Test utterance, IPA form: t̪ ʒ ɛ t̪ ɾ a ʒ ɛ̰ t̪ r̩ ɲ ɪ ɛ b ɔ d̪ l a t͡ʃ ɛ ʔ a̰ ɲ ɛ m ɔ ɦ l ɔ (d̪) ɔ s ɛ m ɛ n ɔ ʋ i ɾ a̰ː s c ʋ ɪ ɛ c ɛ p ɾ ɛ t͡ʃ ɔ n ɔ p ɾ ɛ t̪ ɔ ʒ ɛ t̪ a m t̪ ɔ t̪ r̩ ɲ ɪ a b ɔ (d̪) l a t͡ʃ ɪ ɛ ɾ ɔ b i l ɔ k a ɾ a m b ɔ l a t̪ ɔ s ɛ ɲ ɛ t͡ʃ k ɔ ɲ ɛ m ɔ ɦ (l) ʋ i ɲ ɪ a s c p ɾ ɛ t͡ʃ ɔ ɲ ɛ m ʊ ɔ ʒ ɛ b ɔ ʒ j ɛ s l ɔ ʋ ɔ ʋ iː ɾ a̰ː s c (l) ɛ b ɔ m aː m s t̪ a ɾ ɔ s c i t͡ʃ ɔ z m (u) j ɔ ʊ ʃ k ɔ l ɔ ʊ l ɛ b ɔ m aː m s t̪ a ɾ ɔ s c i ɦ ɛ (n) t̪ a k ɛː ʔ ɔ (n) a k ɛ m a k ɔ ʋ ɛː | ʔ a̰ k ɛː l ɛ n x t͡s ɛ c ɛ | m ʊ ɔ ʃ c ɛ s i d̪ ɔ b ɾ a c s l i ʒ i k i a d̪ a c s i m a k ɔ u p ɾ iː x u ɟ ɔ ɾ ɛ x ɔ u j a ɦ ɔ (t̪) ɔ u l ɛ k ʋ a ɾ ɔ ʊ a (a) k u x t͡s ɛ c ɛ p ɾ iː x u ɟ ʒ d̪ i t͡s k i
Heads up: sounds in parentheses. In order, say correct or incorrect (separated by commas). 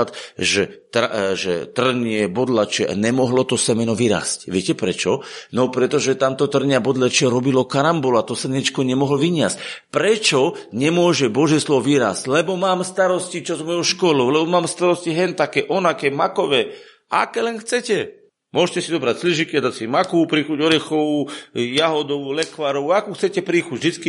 incorrect, correct, correct, correct, incorrect, correct, correct, incorrect, correct